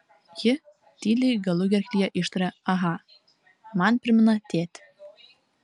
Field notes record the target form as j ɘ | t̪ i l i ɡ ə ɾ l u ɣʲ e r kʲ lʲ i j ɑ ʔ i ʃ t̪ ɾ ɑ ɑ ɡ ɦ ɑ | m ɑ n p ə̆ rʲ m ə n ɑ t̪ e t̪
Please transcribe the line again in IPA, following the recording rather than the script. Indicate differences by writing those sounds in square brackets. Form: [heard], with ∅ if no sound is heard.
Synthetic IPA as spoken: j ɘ | t̪ i l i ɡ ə [∅] l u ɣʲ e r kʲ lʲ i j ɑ ʔ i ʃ t̪ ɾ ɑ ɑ [∅] ɦ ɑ | m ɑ n p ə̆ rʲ m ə n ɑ t̪ e t̪

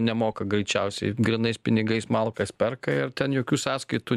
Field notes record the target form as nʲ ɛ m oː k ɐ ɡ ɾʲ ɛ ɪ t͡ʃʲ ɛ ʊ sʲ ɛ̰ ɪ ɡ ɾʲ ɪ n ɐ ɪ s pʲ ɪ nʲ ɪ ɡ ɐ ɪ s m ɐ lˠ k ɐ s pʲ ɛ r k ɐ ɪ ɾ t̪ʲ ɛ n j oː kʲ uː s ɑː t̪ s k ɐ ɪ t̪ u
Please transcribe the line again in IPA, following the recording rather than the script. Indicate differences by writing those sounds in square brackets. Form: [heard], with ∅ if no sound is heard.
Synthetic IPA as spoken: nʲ ɛ m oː k ɐ ɡ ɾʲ ɛ ɪ t͡ʃʲ ɛ ʊ sʲ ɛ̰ ɪ ɡ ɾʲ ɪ n ɐ ɪ s pʲ ɪ nʲ ɪ ɡ ɐ ɪ s m ɐ lˠ k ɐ s pʲ ɛ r k ɐ ɪ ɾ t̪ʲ ɛ n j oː kʲ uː s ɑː [∅] s k ɐ ɪ t̪ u

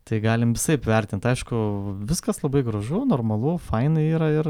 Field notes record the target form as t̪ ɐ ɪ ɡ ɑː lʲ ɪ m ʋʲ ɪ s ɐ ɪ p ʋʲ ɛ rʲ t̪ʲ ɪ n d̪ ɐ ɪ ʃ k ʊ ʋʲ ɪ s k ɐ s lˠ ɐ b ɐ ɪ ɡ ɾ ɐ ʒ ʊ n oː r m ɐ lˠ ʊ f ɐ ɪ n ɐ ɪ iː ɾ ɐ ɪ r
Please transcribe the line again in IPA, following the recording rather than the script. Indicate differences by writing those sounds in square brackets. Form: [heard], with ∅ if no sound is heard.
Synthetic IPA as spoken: t̪ ɐ ɪ ɡ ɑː lʲ ɪ m ʋʲ ɪ s ɐ ɪ p ʋʲ ɛ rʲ t̪ʲ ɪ n [t̪] ɐ ɪ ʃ k ʊ ʋʲ ɪ s k ɐ s lˠ ɐ b ɐ ɪ ɡ ɾ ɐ ʒ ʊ n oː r m ɐ lˠ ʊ f ɐ ɪ n ɐ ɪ iː ɾ ɐ ɪ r

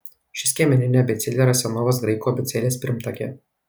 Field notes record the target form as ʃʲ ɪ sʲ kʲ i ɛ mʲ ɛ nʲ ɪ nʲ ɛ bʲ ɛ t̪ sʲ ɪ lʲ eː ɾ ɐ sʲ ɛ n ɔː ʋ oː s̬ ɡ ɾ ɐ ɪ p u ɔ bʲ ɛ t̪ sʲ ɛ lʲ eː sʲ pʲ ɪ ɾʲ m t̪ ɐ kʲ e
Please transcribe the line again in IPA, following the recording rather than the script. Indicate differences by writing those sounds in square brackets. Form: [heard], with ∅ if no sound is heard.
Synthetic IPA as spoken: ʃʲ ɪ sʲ kʲ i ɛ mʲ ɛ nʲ ɪ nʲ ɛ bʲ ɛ t̪ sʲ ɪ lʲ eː ɾ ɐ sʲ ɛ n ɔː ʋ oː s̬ ɡ ɾ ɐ ɪ [k] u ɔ bʲ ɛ t̪ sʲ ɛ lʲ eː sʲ pʲ ɪ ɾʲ m t̪ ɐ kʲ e

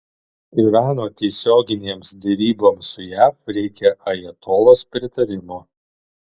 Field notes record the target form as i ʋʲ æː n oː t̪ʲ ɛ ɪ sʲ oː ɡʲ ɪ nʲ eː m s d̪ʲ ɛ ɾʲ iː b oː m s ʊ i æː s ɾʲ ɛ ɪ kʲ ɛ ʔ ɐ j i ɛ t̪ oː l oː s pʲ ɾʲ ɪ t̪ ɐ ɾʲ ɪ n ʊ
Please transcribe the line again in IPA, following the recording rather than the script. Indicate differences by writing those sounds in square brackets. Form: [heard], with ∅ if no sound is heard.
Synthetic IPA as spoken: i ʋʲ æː n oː t̪ʲ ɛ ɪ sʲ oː ɡʲ ɪ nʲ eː m s d̪ʲ ɛ ɾʲ iː b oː m s ʊ [j] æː [f] ɾʲ ɛ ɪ kʲ ɛ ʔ ɐ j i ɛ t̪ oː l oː s pʲ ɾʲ ɪ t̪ ɐ ɾʲ ɪ [m] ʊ

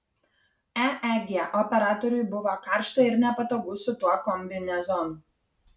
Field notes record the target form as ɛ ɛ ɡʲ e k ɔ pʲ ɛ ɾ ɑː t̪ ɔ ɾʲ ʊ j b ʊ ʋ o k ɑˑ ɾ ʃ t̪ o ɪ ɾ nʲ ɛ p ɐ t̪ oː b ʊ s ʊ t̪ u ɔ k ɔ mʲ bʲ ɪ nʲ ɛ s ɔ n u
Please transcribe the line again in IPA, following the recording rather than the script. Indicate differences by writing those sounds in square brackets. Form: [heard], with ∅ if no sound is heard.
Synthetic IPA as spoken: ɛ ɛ ɡʲ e [ʔ] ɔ pʲ ɛ ɾ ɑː t̪ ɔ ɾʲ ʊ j b ʊ ʋ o k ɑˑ ɾ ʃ t̪ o ɪ ɾ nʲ ɛ p ɐ t̪ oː [ɡ] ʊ s ʊ t̪ u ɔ k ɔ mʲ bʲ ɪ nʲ ɛ [z] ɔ n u

